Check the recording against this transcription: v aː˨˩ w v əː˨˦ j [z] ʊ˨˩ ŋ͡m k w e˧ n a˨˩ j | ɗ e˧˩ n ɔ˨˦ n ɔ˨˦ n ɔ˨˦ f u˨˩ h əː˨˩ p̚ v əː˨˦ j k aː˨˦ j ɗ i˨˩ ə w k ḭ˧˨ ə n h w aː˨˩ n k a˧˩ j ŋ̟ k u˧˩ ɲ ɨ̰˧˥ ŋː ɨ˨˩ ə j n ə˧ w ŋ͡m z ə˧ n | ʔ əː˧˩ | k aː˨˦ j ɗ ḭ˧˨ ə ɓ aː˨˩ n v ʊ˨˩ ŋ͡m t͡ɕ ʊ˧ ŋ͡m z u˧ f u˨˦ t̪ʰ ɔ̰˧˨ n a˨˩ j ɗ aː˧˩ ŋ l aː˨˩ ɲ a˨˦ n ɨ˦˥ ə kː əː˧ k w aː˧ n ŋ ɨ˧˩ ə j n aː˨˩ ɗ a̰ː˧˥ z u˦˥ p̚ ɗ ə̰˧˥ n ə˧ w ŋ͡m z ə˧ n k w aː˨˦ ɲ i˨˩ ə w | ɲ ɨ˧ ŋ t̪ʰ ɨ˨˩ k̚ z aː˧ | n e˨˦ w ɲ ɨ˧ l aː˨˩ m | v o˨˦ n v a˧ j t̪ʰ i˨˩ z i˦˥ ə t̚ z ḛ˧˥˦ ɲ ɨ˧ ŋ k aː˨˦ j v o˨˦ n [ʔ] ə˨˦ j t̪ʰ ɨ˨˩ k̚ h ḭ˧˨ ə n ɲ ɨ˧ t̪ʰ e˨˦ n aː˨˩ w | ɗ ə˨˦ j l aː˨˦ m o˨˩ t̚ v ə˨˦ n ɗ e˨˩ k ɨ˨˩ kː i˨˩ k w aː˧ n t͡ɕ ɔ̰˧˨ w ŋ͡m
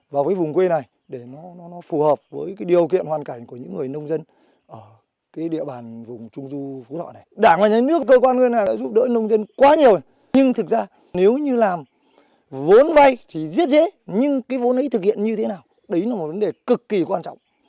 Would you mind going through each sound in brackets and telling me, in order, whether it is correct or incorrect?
incorrect: v, correct

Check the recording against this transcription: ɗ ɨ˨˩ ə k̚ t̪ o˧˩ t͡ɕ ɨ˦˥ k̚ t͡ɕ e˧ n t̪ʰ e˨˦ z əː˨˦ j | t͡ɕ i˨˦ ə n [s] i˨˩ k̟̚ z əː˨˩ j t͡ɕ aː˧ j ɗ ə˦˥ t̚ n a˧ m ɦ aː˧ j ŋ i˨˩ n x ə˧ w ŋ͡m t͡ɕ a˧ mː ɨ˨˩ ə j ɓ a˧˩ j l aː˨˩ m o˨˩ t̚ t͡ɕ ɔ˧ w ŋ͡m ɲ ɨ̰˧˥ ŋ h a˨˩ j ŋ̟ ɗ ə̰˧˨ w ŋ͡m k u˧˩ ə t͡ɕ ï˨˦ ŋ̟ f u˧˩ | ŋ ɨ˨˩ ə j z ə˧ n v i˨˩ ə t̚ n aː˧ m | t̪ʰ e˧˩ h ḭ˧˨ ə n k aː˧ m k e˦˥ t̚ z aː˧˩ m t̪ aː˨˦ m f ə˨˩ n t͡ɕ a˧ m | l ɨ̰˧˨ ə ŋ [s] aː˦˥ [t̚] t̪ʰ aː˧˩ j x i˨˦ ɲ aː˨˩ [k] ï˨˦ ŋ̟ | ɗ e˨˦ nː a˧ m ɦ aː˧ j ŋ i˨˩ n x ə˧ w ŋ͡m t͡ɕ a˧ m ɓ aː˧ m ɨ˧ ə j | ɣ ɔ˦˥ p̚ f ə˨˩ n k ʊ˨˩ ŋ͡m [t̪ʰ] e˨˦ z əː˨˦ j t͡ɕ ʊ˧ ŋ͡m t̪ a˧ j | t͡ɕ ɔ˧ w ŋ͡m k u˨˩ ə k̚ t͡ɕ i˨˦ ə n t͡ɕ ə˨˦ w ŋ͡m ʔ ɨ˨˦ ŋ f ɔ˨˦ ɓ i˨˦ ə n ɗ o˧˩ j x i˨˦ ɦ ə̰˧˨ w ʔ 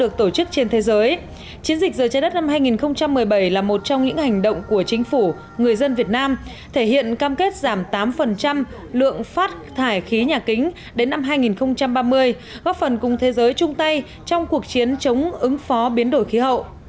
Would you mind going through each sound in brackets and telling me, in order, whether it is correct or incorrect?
incorrect: z, incorrect: f, correct, correct, correct

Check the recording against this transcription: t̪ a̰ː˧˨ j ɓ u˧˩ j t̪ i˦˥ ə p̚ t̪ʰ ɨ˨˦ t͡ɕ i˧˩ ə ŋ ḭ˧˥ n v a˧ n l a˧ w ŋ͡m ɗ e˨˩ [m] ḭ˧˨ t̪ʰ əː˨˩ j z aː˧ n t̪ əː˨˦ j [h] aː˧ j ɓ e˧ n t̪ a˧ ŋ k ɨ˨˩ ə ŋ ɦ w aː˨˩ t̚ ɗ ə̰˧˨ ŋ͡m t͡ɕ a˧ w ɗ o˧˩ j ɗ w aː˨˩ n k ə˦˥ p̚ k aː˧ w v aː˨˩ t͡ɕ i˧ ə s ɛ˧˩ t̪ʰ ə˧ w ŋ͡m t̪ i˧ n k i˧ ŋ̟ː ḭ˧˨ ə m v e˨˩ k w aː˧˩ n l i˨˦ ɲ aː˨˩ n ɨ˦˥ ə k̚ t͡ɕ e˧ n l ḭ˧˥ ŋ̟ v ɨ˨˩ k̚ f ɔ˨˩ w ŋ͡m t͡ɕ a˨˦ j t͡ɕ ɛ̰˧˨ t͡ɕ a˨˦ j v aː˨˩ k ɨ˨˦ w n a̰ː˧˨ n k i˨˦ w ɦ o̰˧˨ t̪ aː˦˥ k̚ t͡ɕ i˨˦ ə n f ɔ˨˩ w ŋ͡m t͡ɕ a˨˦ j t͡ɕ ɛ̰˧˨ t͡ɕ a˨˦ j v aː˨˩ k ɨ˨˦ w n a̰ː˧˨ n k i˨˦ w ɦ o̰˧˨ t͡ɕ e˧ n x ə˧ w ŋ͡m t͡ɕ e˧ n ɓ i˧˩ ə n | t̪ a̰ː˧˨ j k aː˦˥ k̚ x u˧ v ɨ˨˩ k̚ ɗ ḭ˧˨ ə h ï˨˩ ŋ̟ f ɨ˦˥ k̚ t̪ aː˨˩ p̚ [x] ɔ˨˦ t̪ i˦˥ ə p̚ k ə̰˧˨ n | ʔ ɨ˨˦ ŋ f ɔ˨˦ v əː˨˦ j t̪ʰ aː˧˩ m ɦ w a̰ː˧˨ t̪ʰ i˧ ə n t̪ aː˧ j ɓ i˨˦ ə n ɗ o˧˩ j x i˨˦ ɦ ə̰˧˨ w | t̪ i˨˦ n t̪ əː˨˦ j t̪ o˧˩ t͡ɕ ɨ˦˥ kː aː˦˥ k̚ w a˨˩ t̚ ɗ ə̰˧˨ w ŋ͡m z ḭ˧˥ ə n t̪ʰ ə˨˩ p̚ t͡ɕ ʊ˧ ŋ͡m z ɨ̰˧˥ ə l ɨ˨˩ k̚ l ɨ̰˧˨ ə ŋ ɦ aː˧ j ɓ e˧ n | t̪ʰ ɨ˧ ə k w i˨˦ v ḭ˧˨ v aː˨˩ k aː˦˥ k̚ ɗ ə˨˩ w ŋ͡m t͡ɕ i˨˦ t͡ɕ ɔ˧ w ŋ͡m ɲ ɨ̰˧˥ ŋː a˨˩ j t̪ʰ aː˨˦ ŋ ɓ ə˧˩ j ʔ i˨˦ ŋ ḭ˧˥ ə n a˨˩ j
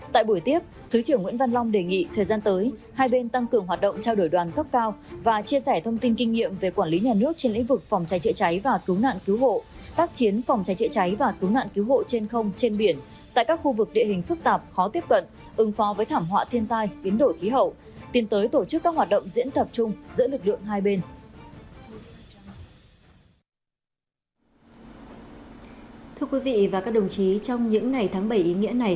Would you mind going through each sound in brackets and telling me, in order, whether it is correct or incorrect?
incorrect: ŋ, correct, correct

